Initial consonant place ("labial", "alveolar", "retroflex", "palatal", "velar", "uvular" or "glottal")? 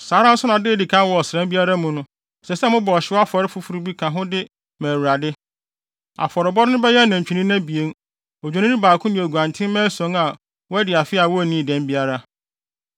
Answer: alveolar